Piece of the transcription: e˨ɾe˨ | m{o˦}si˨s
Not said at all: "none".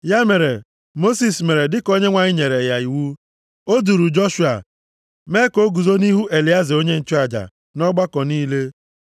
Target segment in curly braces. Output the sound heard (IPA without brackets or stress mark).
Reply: o˦